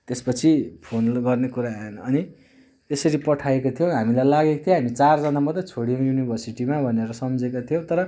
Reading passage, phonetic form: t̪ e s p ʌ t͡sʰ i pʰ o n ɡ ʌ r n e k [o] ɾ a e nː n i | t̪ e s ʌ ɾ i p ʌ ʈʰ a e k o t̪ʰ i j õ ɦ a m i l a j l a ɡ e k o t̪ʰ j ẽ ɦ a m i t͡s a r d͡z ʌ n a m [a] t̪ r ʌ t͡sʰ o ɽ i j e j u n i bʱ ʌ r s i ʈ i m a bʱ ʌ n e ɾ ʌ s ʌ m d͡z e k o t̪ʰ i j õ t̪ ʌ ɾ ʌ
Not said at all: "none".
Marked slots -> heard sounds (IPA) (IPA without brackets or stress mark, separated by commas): u, ʌ